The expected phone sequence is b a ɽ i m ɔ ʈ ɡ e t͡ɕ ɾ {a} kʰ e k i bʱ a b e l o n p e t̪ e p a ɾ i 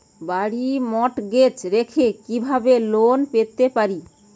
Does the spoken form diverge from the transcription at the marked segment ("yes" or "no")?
yes